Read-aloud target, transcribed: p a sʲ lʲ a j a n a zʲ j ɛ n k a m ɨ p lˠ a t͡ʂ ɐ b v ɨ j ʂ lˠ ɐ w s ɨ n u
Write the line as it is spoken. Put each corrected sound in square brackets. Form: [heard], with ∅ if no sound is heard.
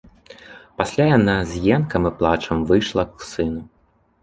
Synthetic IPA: p a sʲ lʲ a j a n a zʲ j ɛ n k [ɐ] m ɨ p lˠ a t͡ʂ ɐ [m] v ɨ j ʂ lˠ ɐ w s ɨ n u